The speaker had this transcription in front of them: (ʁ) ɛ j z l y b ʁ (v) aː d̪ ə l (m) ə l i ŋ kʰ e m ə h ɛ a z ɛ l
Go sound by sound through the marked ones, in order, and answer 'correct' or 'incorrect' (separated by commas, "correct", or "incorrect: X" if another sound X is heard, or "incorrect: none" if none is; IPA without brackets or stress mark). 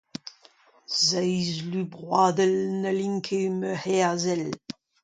incorrect: z, incorrect: w, incorrect: n